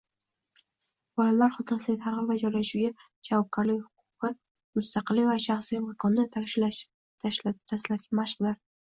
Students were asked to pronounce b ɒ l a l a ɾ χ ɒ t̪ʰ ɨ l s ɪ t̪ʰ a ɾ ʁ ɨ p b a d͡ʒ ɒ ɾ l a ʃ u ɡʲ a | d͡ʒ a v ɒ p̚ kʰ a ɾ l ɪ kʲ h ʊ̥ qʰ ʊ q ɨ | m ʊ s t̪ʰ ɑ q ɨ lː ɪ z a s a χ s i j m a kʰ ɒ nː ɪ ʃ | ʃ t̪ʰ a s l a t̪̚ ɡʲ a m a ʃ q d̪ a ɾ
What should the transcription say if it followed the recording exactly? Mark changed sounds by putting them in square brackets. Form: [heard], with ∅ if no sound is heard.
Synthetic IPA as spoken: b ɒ l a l a ɾ χ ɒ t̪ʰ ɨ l s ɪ t̪ʰ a ɾ ʁ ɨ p [v] a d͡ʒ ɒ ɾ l a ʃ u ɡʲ a | d͡ʒ a v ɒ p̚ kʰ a ɾ l ɪ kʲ h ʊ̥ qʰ ʊ q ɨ | m ʊ s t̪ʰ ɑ q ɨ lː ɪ [v] a [ʃ] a χ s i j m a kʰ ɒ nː ɪ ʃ | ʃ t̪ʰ a s l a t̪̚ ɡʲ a m a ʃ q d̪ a ɾ